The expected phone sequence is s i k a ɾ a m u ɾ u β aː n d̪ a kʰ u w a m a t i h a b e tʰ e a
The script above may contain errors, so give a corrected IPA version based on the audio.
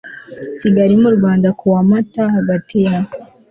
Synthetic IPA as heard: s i ɡ a ɾ i m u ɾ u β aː n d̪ a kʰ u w a m a t a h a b a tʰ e a